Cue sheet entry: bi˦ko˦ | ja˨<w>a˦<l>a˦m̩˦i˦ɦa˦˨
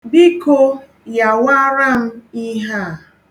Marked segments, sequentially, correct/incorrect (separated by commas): correct, incorrect